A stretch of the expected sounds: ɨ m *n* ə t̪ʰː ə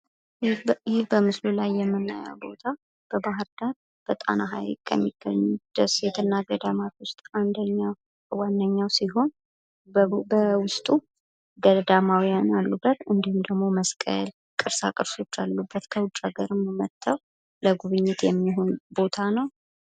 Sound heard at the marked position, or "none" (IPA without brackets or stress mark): m